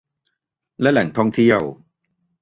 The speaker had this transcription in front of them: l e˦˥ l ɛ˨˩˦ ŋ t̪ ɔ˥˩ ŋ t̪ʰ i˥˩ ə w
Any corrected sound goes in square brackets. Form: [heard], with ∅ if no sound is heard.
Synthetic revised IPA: l [ɛ˦˥] l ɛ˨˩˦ ŋ [t̪ʰ] ɔ˥˩ ŋ t̪ʰ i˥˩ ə w

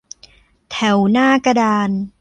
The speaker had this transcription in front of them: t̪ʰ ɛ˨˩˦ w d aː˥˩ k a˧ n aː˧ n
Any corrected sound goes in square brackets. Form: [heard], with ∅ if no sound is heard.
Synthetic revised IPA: t̪ʰ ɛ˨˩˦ w [n] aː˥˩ k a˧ [d] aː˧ n

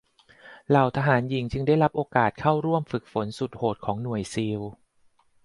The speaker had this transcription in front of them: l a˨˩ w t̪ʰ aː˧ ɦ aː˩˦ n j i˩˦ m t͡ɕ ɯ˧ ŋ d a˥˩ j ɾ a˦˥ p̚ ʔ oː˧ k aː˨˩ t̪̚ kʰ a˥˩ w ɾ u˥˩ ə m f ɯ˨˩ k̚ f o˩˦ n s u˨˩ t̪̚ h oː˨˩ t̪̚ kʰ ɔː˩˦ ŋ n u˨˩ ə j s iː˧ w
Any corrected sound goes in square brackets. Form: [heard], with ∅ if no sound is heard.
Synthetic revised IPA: l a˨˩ w t̪ʰ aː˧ ɦ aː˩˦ n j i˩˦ [ŋ] t͡ɕ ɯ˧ ŋ d a˥˩ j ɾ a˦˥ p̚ ʔ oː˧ k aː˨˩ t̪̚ kʰ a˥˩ w ɾ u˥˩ ə m f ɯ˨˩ k̚ f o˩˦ n s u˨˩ t̪̚ h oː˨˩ t̪̚ kʰ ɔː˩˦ ŋ n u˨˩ ə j s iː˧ w

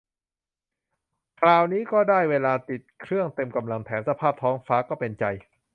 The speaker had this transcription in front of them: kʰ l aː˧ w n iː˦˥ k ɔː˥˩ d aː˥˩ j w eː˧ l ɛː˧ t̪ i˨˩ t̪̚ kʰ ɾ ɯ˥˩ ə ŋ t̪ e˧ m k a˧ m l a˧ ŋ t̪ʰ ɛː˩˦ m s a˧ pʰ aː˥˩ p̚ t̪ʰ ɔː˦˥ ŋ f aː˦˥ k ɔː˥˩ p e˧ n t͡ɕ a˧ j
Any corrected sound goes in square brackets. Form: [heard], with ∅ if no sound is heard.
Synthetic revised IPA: kʰ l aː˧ w n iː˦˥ k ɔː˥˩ d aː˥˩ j w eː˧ l [aː˧] t̪ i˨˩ t̪̚ kʰ ɾ ɯ˥˩ ə ŋ t̪ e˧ m k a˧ m l a˧ ŋ t̪ʰ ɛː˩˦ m s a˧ pʰ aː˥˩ p̚ t̪ʰ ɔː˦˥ ŋ f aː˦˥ k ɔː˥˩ p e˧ n t͡ɕ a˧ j

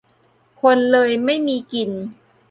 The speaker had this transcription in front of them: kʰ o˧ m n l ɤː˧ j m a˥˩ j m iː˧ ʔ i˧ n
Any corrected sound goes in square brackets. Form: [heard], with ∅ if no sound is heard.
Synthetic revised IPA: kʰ o˧ [∅] n l ɤː˧ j m a˥˩ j m iː˧ [k] i˧ n

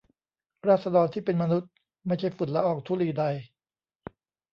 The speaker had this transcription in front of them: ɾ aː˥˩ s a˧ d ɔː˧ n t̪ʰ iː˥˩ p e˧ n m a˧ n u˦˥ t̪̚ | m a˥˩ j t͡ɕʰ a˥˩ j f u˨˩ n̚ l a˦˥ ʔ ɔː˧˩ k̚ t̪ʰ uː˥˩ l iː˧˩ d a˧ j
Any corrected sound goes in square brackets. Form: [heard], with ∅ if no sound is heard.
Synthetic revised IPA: ɾ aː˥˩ s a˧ d ɔː˧ n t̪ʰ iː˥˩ p e˧ n m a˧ n u˦˥ t̪̚ | m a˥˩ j t͡ɕʰ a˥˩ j f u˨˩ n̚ l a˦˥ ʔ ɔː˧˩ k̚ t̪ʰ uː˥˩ l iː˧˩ d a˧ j

